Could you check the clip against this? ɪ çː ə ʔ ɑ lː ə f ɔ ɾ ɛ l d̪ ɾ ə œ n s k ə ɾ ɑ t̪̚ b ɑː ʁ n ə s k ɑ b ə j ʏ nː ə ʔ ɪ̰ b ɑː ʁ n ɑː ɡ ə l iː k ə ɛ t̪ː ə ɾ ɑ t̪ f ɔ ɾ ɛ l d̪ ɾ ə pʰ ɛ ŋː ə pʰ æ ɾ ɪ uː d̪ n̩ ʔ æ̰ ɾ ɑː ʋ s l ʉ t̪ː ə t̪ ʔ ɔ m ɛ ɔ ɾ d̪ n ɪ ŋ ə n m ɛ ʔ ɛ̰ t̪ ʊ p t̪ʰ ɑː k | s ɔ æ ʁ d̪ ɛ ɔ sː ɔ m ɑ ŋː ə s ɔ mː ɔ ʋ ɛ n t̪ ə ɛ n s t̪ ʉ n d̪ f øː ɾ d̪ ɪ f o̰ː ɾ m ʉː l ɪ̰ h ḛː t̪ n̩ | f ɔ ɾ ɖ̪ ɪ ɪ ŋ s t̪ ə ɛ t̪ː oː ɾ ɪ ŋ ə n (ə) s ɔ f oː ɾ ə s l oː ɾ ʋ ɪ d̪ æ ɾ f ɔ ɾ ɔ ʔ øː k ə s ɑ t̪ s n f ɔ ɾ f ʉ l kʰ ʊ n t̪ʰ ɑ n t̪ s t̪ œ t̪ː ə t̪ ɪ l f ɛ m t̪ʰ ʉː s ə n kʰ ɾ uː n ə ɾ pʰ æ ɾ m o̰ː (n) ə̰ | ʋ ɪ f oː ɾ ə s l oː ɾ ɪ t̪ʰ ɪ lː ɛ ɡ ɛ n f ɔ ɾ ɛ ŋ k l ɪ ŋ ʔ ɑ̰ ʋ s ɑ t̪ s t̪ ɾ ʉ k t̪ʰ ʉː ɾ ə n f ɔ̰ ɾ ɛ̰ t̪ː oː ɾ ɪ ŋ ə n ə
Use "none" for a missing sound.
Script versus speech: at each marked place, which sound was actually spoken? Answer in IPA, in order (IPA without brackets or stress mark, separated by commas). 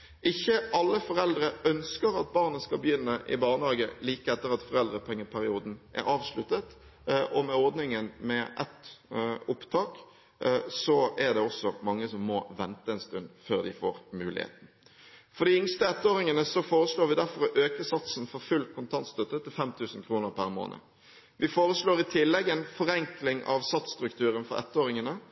ə, n